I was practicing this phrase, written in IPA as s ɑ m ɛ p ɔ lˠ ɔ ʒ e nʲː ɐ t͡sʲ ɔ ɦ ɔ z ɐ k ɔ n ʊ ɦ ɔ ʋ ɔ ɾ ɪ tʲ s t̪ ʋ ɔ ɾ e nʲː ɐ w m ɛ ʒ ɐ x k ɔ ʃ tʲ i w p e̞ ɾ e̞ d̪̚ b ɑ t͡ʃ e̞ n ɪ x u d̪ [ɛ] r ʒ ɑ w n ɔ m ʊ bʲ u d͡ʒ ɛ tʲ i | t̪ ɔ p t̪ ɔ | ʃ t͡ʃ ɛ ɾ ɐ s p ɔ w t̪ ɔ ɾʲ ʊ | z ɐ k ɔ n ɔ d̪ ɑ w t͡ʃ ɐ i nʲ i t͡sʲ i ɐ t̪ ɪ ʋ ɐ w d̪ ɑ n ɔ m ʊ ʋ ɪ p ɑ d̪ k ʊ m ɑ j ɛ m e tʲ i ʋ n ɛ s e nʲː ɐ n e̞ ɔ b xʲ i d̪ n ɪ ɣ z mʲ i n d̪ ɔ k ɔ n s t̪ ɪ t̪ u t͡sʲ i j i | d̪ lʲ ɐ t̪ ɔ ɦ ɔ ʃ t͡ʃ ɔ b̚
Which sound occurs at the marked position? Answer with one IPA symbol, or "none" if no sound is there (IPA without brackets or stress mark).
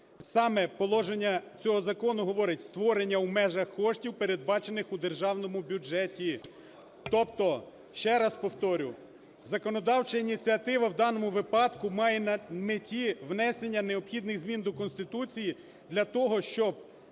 e